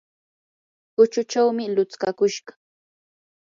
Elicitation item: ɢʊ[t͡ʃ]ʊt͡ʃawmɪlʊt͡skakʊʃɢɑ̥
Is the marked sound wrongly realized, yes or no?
no